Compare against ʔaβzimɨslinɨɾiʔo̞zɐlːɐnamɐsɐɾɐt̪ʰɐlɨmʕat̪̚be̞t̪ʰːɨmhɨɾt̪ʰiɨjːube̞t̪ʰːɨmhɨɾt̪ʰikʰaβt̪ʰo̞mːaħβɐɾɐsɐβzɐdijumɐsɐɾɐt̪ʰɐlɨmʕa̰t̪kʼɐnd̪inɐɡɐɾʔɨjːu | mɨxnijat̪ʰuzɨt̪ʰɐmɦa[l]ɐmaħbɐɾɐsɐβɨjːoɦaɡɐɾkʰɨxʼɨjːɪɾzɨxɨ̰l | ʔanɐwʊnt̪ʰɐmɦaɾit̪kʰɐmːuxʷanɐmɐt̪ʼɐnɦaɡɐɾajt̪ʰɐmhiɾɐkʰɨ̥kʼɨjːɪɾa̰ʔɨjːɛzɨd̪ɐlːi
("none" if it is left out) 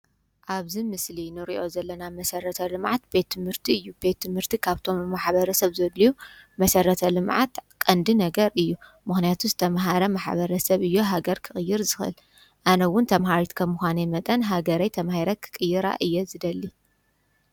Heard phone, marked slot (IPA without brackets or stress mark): ɾ